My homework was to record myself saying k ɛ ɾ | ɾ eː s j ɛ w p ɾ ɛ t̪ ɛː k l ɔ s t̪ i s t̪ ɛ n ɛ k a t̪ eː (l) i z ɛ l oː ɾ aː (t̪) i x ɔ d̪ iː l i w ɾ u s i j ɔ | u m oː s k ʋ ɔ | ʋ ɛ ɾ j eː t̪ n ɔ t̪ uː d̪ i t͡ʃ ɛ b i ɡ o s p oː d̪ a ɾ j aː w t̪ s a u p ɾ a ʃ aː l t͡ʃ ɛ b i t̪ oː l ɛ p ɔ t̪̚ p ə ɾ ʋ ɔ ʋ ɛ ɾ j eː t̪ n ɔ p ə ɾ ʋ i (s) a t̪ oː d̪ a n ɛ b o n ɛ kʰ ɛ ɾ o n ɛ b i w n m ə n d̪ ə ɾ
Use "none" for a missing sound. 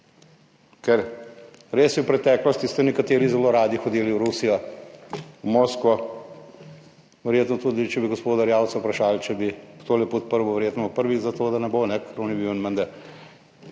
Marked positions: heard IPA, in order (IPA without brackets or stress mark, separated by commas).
ɾ, d̪, z